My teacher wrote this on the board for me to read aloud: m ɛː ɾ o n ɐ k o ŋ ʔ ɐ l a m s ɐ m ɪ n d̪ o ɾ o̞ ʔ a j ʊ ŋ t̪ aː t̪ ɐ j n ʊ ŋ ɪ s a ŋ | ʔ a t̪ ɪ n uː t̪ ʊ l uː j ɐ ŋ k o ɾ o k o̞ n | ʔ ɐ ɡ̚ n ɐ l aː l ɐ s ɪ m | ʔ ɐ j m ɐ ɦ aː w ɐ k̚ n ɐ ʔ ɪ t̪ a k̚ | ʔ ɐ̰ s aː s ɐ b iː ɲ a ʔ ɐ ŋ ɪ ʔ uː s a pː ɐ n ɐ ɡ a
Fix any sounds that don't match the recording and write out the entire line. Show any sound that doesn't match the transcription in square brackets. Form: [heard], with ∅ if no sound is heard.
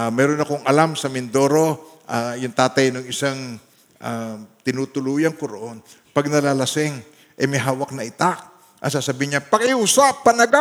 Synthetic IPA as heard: m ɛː ɾ o n ɐ k o ŋ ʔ ɐ l a m s ɐ m ɪ n d̪ o ɾ o̞ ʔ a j ʊ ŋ t̪ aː t̪ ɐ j n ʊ ŋ ɪ s a ŋ | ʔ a t̪ ɪ n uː t̪ ʊ l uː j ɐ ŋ k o ɾ o [ʔ] o̞ n | [p] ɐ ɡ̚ n ɐ l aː l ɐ s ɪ [ŋ] | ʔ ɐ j m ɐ ɦ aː w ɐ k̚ n ɐ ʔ ɪ t̪ a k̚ | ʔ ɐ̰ s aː s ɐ b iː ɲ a [p] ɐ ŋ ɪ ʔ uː s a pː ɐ n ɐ ɡ a